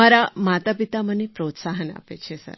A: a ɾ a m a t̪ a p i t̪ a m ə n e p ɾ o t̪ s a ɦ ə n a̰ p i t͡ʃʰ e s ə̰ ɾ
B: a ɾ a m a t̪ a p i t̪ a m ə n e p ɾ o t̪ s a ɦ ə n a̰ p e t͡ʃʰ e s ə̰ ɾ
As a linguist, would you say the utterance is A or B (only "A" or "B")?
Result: B